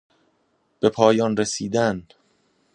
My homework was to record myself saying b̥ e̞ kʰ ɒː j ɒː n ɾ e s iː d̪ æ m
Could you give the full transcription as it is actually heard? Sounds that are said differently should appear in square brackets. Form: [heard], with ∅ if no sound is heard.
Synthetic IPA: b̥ e̞ [pʰ] ɒː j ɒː n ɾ e s iː d̪ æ [n]